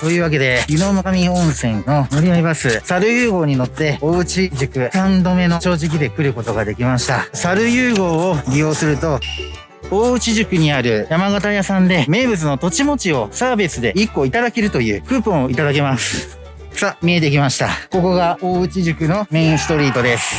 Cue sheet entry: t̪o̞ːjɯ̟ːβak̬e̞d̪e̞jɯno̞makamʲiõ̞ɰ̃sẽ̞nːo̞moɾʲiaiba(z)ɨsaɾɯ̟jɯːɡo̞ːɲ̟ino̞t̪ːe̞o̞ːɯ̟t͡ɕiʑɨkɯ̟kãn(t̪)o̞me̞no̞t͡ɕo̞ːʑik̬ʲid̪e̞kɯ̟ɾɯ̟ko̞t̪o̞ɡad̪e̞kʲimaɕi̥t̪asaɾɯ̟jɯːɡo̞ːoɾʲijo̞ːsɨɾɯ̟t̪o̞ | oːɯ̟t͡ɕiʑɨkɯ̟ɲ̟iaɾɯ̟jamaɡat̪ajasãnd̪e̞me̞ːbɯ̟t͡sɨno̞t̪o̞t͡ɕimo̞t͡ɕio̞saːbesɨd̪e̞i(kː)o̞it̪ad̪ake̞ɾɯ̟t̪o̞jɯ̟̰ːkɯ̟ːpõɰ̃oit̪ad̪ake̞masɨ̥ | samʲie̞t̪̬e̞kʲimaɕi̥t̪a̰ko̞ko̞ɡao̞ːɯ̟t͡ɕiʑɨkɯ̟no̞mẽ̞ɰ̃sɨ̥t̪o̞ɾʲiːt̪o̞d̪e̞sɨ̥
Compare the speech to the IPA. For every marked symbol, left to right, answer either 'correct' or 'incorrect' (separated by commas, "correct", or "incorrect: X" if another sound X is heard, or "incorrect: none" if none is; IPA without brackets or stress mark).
incorrect: s, incorrect: d̪, correct